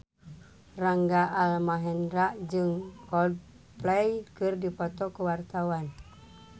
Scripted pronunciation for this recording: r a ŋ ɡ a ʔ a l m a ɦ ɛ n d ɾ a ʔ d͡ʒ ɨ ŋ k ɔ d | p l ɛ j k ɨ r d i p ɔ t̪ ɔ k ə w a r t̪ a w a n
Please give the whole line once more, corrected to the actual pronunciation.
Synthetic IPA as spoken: r a ŋ ɡ a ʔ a l m a ɦ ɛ n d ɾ a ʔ d͡ʒ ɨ ŋ k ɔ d | p l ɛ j k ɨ r d i p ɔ t̪ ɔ k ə w a r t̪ a w a n